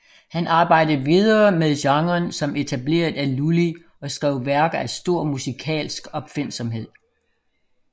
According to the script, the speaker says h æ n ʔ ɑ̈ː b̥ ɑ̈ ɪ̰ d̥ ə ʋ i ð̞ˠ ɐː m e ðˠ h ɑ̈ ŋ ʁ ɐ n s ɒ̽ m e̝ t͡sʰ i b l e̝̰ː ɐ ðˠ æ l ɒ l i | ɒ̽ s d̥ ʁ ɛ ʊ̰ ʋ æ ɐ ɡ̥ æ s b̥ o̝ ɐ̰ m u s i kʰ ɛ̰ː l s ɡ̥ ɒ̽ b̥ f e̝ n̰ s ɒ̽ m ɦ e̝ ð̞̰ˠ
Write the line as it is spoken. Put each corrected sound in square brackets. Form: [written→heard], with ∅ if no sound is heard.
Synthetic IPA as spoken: h æ n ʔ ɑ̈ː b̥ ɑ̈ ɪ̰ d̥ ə ʋ i ð̞ˠ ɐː m e ðˠ [h→ɕ] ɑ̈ ŋ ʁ ɐ n s ɒ̽ m e̝ t͡sʰ [i→æ] b l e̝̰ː ɐ ðˠ æ l [ɒ→u] l i | ɒ̽ s [d̥→ɡ̥] ʁ ɛ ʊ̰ ʋ æ ɐ ɡ̥ æ s [b̥→d̥] o̝ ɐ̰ m u s i kʰ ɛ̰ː l s ɡ̥ ɒ̽ b̥ f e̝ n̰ s ɒ̽ m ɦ e̝ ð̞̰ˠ